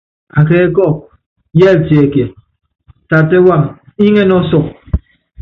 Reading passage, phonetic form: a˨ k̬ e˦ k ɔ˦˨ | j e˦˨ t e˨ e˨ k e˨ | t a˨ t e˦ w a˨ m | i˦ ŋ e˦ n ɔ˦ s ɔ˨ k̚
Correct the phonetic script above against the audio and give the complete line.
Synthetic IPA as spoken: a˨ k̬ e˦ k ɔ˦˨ | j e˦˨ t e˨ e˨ k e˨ | t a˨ t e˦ w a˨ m | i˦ ŋ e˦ n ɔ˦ s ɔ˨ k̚